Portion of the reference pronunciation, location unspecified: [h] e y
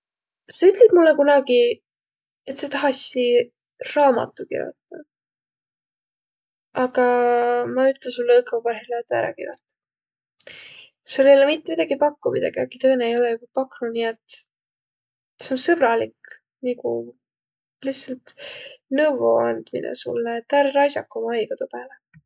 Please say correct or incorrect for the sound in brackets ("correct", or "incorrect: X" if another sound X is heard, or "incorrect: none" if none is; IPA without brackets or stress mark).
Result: incorrect: s